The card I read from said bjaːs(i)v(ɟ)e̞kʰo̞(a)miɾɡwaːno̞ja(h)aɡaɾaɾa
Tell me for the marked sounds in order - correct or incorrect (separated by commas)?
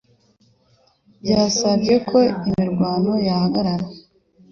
incorrect, correct, incorrect, correct